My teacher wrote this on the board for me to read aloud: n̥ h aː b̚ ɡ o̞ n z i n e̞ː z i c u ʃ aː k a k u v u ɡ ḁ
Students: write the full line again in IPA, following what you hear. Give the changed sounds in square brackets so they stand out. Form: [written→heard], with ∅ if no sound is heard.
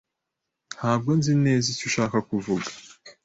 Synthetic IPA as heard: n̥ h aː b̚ ɡ o̞ n z i n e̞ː z i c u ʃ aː k a k u v u ɡ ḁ